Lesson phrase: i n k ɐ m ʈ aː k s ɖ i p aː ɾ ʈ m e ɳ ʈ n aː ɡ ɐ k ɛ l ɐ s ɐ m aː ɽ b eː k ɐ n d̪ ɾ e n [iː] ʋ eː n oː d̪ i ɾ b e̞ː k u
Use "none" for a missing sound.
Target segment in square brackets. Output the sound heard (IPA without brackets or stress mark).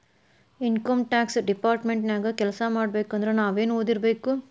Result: aː